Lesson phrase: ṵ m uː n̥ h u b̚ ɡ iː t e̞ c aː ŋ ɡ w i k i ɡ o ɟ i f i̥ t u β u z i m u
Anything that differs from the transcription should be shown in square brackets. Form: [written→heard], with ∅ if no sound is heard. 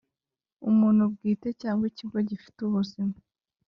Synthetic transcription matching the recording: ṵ m uː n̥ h u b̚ ɡ iː t e̞ c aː ŋ ɡ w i [k→c] i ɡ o ɟ i f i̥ t u β u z i m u